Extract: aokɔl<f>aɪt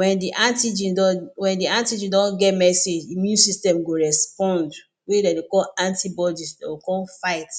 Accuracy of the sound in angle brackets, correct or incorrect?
correct